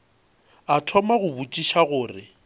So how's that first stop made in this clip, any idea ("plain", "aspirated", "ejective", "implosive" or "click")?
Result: aspirated